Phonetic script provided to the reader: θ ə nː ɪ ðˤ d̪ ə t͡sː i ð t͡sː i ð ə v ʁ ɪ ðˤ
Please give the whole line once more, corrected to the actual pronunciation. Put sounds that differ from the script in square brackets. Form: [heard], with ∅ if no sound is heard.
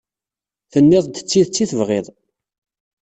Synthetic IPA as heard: θ ə nː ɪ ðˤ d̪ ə t͡sː i ð t͡sː i [θ] ə v ʁ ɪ ðˤ